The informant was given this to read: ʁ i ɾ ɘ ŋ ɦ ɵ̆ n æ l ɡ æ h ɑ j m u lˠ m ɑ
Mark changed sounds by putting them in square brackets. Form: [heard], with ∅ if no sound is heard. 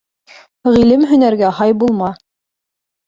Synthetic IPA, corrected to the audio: ʁ i [l] ɘ [m] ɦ ɵ̆ n æ [ɾ] ɡ æ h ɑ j [b] u lˠ m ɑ